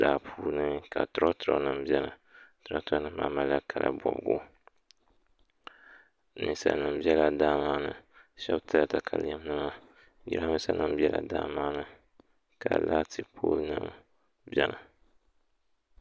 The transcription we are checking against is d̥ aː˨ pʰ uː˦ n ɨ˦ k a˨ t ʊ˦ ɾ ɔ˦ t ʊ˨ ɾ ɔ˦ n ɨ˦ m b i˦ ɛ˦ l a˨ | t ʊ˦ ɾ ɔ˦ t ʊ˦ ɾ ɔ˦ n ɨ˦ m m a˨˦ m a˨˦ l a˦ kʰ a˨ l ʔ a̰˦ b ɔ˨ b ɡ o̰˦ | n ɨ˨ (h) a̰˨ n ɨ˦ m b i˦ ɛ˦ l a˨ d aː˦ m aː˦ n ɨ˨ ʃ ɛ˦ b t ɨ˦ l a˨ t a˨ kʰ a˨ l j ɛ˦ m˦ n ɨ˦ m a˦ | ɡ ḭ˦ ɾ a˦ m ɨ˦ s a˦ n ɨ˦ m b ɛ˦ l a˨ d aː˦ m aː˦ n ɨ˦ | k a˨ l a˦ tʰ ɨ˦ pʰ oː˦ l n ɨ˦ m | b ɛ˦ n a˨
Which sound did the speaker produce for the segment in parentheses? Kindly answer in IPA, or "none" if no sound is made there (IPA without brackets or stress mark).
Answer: s